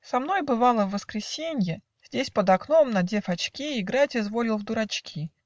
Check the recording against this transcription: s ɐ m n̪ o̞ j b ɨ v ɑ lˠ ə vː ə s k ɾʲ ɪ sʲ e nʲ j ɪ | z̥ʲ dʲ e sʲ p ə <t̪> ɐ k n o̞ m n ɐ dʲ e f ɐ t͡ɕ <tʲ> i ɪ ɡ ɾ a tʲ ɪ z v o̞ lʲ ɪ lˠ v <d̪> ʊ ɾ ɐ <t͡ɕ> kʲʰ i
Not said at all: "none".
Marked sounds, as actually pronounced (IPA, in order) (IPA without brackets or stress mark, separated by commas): d̪, kʲ, d̪, t͡ɕ